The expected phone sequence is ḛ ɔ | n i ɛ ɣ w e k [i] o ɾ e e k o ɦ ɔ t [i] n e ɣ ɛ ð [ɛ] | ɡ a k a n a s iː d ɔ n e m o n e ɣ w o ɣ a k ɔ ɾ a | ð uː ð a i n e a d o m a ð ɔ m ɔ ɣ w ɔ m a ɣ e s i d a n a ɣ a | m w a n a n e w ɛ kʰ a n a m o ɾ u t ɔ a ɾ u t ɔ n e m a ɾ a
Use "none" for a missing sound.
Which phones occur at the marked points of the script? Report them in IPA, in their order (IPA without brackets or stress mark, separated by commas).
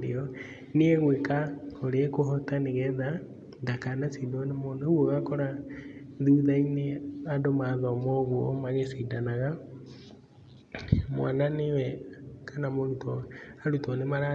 a, a, a